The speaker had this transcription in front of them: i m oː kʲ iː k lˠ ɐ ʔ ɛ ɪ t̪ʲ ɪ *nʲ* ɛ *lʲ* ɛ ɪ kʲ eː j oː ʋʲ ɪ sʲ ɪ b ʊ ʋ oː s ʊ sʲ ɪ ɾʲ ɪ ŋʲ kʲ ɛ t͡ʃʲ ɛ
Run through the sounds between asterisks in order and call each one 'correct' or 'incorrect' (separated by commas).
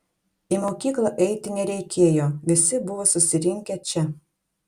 correct, incorrect